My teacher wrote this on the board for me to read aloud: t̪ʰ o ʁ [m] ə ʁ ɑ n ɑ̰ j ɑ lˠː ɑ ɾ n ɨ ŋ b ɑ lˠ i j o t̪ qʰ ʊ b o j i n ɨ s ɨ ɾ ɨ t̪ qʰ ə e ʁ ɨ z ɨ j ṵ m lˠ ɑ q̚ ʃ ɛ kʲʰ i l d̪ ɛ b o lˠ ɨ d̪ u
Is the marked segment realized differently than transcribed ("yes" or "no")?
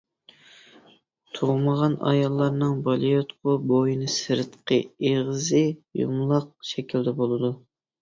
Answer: no